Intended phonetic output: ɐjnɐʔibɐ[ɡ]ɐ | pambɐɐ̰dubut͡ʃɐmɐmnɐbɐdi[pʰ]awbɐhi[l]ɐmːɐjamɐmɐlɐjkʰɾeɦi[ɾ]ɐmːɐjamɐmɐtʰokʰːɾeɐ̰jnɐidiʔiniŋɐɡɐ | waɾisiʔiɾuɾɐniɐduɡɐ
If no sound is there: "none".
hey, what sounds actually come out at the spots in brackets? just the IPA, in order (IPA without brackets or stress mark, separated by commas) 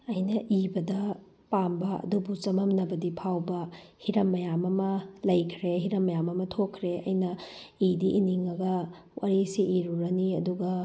d, pʰ, ɾ, ɾ